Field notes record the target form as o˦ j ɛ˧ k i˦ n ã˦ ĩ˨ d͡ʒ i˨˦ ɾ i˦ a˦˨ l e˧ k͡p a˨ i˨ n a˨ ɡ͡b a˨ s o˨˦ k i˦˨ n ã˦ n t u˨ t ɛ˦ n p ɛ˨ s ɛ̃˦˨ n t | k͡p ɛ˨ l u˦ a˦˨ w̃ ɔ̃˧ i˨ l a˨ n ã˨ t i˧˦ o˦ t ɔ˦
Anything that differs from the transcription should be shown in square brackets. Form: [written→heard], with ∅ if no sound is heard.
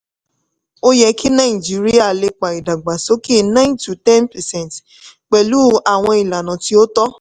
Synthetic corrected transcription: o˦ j ɛ˧ k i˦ n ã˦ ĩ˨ d͡ʒ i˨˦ ɾ i˦ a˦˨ l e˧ k͡p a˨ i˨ [n→d] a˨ ɡ͡b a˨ s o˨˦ k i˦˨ n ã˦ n t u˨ t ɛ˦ n p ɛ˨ s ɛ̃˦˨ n t | k͡p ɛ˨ l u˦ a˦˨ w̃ ɔ̃˧ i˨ l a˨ n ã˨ t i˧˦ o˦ t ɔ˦